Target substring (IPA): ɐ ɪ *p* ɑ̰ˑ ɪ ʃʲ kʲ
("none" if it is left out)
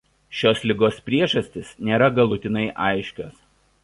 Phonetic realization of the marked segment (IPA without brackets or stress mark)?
ʔ